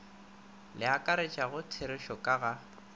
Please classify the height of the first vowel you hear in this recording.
high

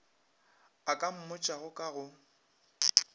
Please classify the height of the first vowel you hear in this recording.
low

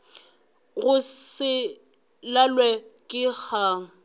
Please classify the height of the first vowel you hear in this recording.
high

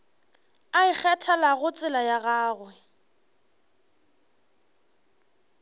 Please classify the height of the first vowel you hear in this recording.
low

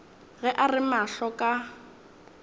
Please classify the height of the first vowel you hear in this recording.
mid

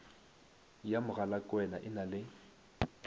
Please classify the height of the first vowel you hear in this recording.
low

